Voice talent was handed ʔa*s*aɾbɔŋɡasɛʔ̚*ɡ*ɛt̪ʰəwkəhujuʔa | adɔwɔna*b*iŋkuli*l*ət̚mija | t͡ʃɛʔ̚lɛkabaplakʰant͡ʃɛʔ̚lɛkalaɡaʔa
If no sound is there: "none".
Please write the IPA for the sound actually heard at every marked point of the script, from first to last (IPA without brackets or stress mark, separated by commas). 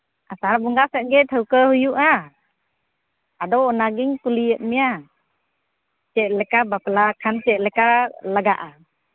s, ɡ, ɡ, none